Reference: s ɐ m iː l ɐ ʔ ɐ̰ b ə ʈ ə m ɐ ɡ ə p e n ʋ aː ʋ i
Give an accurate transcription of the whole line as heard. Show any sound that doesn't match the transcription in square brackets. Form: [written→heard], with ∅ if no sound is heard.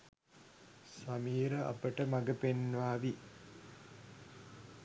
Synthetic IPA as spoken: s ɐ m iː [l→ɾ] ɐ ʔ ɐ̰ [b→p] ə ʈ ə m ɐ ɡ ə p e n ʋ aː ʋ i